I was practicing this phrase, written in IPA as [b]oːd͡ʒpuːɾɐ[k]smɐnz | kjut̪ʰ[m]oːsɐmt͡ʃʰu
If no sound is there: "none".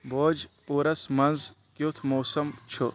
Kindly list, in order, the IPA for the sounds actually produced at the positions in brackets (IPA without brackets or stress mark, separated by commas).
b, none, m